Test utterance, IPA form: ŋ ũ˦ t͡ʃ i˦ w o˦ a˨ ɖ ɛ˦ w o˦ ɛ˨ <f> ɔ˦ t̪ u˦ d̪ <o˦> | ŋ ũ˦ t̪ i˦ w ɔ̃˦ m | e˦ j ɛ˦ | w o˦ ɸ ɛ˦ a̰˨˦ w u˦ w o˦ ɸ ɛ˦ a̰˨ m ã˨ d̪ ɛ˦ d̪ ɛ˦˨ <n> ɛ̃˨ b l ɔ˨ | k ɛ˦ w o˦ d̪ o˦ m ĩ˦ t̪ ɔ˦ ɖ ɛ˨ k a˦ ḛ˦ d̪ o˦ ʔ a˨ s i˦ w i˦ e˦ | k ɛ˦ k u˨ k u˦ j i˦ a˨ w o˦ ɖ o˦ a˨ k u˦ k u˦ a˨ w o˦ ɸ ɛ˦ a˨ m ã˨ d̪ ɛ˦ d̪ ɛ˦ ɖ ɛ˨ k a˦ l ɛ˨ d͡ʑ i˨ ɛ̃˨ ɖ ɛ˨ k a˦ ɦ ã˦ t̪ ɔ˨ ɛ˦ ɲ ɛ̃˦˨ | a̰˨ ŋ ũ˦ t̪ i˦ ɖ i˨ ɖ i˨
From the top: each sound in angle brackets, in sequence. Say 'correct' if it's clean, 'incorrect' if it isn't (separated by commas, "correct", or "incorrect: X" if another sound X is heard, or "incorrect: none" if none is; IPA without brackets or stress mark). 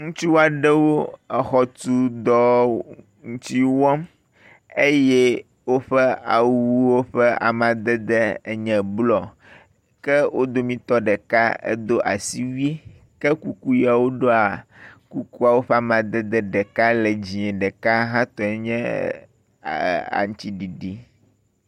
incorrect: x, incorrect: ɔ˦, incorrect: ɲ